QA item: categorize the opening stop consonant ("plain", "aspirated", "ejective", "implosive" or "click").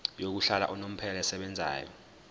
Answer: plain